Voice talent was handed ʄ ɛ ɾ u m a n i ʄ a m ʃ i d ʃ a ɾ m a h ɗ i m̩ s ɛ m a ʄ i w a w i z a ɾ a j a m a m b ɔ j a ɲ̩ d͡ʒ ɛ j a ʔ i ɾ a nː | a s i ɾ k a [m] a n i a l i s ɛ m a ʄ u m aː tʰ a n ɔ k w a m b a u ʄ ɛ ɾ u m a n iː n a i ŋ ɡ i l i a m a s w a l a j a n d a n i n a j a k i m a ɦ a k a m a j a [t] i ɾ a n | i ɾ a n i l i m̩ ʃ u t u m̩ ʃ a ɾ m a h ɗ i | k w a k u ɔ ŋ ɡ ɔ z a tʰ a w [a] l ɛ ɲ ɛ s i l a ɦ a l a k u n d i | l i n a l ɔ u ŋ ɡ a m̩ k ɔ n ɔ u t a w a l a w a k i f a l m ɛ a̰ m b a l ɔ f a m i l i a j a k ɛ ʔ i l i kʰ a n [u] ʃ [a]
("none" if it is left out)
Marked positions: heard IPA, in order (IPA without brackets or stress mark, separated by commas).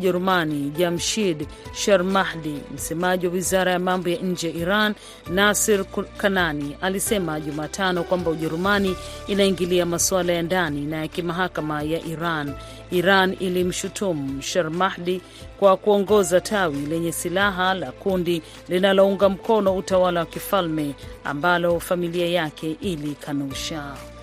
n, ʔ, i, u, a